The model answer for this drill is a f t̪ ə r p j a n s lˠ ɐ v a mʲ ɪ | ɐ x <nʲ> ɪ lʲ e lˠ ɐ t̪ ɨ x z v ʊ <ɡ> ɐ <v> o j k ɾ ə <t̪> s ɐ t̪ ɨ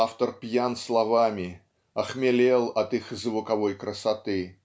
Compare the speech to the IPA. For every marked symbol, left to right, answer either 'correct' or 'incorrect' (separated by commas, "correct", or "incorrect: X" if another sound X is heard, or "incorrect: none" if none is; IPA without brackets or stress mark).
incorrect: mʲ, incorrect: k, correct, incorrect: none